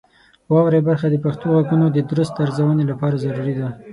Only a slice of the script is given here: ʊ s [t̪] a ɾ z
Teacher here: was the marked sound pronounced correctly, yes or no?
yes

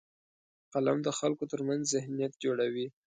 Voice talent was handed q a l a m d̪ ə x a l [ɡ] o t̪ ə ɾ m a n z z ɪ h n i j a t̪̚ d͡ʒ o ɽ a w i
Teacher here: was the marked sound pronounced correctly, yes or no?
no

